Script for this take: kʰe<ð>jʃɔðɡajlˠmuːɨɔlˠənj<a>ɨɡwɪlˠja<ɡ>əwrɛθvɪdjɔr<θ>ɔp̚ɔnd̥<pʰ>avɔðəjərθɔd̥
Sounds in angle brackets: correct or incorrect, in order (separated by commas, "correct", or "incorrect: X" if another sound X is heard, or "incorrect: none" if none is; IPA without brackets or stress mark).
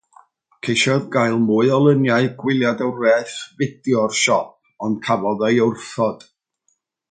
incorrect: none, correct, incorrect: d, incorrect: ʃ, incorrect: kʰ